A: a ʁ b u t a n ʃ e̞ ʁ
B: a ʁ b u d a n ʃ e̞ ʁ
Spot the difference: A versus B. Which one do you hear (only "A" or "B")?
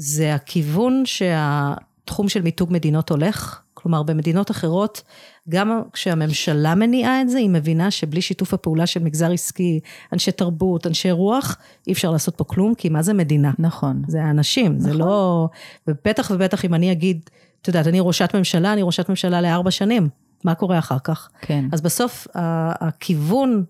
A